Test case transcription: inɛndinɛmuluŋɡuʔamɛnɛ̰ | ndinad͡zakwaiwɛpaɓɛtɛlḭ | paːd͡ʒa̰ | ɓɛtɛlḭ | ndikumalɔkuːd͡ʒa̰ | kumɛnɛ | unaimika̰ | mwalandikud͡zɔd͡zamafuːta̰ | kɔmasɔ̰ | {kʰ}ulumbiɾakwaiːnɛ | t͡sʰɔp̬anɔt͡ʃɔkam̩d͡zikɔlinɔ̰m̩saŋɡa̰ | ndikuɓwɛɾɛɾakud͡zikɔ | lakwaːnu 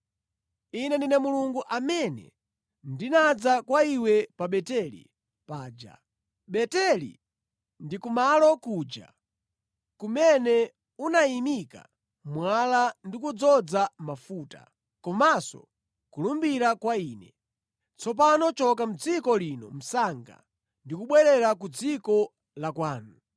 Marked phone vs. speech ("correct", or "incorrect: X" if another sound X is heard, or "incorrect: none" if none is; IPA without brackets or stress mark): incorrect: k